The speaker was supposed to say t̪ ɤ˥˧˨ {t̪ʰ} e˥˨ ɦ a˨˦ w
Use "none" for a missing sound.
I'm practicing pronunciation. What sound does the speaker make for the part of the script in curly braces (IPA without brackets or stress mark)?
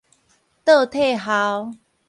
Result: t̪ʰ